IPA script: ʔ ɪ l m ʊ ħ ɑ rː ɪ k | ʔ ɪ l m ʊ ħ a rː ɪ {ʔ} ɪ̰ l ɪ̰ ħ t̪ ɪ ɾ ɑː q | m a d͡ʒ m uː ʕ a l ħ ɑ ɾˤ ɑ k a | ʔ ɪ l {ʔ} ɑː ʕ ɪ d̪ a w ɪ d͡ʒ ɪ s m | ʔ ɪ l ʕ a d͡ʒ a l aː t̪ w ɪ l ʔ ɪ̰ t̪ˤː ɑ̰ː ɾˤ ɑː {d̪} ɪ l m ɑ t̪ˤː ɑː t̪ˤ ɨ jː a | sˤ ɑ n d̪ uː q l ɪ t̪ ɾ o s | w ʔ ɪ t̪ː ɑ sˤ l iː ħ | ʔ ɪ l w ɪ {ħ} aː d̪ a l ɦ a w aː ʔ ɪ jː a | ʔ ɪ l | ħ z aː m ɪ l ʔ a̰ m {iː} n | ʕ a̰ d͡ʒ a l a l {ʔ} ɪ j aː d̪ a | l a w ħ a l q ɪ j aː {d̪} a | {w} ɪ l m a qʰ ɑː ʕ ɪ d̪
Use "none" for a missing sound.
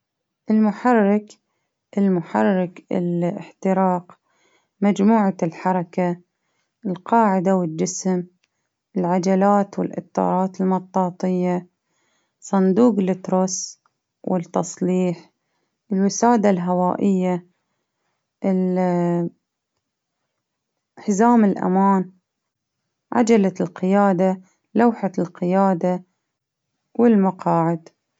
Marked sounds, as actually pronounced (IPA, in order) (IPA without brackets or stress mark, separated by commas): k, q, t̪, s, aː, q, d̪, w